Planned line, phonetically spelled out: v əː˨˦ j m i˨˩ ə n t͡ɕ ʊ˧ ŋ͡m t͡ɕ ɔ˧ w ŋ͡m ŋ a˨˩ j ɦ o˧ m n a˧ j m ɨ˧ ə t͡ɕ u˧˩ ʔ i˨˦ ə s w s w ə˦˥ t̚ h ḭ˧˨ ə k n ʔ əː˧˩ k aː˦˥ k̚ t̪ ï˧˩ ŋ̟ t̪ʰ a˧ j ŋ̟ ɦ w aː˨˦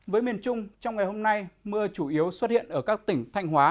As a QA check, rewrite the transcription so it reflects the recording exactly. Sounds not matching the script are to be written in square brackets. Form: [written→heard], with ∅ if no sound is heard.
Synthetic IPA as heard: v əː˨˦ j m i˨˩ ə n t͡ɕ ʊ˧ ŋ͡m t͡ɕ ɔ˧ w ŋ͡m ŋ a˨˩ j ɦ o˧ m n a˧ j m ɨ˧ ə t͡ɕ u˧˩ ʔ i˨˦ ə [s→∅] w s w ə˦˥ t̚ h ḭ˧˨ ə [k→∅] n ʔ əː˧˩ k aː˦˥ k̚ t̪ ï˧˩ ŋ̟ t̪ʰ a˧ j ŋ̟ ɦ w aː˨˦